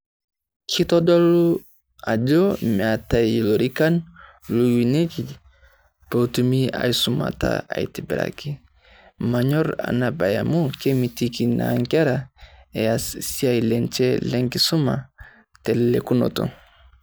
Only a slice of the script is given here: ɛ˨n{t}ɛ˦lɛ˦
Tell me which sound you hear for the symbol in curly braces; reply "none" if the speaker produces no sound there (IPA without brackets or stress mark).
t͡ʃ